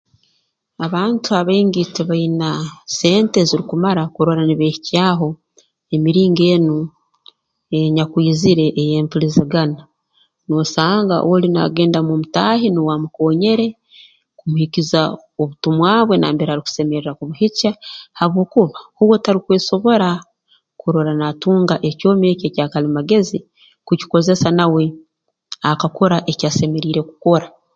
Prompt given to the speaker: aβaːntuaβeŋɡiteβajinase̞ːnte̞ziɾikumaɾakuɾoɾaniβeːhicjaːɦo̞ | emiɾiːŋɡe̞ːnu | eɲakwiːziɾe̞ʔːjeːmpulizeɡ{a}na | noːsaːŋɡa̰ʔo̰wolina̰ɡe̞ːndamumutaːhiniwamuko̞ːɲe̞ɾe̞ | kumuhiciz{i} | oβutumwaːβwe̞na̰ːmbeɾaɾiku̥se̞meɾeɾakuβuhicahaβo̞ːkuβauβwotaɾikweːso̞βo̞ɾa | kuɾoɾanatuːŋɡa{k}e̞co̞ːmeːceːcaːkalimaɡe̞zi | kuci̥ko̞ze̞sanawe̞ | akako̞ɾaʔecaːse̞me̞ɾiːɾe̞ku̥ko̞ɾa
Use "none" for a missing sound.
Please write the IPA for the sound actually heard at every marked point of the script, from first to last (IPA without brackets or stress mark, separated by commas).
a, a, ʔ